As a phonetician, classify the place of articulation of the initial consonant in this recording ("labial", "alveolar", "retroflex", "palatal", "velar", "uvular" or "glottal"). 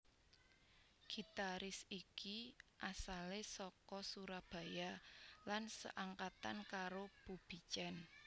velar